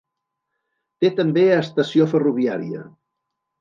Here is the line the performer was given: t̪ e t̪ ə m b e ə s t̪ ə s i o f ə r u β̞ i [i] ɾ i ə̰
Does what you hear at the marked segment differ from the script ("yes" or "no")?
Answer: yes